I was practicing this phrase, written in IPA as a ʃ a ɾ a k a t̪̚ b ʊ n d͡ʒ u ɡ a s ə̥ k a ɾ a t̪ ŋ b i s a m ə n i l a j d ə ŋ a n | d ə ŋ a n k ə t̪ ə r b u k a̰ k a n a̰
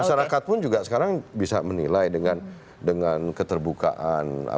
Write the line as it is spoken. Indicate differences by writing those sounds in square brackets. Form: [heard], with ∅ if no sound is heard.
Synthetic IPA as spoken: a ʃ a ɾ a k a t̪̚ [p] ʊ n d͡ʒ u ɡ a s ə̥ k a ɾ a [∅] ŋ b i s a m ə n i l a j d ə ŋ a n | d ə ŋ a n k ə t̪ ə r b u k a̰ [ʔ] a n a̰